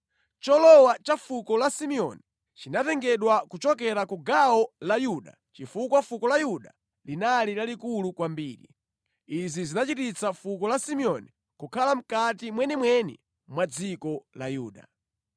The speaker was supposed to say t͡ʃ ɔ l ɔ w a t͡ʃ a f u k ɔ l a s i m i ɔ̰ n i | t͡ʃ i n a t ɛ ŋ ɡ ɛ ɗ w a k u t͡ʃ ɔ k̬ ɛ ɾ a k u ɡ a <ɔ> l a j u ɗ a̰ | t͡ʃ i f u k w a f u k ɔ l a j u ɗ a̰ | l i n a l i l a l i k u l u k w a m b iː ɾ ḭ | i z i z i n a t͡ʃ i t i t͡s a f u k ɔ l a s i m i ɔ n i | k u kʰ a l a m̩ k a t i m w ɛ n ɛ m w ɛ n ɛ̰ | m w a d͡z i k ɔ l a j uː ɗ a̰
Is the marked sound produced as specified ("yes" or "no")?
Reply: yes